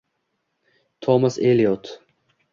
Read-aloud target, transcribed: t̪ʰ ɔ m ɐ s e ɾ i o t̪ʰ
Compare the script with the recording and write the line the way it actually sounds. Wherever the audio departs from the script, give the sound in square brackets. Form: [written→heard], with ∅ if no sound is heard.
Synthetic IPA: t̪ʰ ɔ m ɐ s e [ɾ→l] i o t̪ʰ